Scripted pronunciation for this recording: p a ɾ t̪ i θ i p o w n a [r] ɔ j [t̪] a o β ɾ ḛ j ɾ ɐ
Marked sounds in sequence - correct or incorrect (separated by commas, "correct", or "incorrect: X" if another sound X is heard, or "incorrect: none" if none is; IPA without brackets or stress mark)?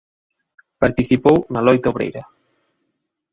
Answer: incorrect: l, correct